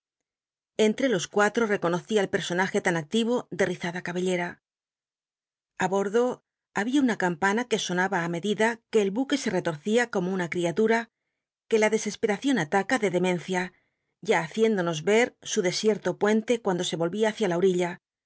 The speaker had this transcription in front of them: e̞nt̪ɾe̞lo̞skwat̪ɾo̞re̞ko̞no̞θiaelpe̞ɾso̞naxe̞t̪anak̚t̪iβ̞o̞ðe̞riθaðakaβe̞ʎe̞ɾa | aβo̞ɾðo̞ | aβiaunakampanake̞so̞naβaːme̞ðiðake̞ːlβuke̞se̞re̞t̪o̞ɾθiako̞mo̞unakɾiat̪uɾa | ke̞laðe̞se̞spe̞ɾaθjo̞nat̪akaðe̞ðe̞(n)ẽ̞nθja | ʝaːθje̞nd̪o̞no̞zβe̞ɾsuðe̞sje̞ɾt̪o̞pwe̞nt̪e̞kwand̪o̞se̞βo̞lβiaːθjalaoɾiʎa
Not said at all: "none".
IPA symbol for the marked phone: m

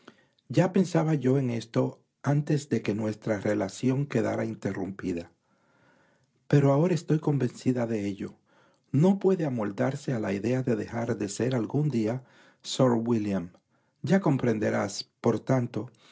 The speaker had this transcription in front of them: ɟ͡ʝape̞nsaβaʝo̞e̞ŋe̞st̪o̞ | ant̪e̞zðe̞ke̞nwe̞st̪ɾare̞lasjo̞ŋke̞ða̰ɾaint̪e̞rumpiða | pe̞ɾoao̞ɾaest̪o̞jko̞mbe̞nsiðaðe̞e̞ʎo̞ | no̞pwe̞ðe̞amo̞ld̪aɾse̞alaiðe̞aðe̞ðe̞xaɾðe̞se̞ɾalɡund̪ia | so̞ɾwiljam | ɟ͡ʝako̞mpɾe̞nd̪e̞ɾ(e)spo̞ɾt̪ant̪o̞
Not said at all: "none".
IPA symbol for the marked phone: a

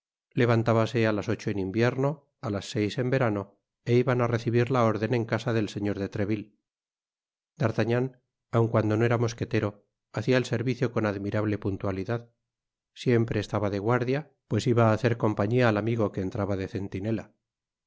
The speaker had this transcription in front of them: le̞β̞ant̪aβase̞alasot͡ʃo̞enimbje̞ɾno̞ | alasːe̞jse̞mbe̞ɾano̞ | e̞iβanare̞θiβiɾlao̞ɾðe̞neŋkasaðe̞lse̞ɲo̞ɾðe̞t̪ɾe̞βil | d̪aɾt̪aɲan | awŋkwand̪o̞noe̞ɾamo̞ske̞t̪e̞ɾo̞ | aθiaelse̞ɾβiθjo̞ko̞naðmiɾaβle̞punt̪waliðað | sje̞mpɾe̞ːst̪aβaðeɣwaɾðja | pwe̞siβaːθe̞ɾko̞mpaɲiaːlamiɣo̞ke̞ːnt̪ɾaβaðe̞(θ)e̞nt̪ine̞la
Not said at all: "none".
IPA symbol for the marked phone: θ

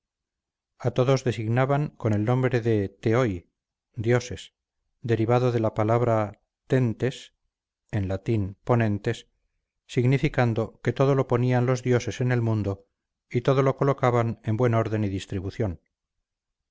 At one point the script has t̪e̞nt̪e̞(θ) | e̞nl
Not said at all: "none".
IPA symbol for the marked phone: s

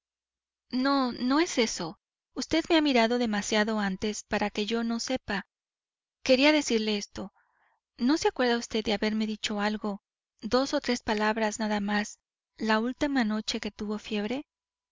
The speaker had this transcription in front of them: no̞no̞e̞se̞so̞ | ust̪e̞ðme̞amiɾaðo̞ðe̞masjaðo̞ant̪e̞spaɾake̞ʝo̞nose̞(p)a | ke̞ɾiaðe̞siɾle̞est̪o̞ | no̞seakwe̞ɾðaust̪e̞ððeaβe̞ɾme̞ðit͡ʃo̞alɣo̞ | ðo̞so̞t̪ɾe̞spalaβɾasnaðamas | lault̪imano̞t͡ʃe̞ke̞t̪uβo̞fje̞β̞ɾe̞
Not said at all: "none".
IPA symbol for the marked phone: p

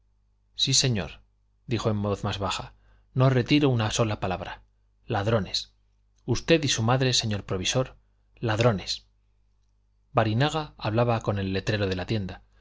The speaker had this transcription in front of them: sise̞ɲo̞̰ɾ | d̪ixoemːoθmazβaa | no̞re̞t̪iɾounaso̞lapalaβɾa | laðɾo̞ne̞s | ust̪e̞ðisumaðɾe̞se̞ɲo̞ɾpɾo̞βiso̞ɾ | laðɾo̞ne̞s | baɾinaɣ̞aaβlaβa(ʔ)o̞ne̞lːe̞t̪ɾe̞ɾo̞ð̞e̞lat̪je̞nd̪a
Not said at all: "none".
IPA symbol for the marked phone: k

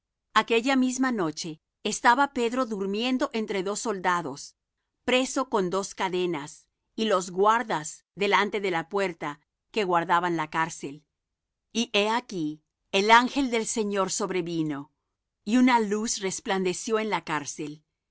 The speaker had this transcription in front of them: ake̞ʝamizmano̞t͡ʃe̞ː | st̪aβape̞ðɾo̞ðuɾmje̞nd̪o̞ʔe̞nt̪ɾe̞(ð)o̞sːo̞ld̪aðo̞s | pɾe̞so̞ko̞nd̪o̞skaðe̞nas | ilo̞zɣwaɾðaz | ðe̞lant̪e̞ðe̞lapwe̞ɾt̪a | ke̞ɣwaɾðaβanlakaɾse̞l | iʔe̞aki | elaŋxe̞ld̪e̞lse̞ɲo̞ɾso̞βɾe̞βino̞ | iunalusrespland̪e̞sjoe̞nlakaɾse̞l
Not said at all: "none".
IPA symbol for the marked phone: ð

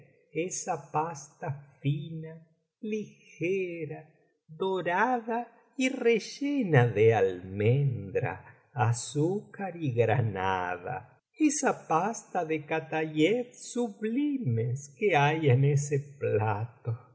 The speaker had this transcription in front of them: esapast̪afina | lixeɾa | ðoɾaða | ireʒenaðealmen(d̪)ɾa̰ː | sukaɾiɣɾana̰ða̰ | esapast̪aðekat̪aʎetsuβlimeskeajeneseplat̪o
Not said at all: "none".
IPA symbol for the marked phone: d̪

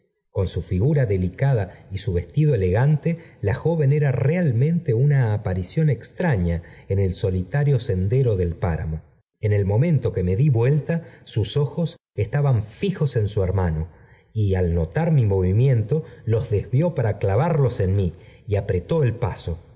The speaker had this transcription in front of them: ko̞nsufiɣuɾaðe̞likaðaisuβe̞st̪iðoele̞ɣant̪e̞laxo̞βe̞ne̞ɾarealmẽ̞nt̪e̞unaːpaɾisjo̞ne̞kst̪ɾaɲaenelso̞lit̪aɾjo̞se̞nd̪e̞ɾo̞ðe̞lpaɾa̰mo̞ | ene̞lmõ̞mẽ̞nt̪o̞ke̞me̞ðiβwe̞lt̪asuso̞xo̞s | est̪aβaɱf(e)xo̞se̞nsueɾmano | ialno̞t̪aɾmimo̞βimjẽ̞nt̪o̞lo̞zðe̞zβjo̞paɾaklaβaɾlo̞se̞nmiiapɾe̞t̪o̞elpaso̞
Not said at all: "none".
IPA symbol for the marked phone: i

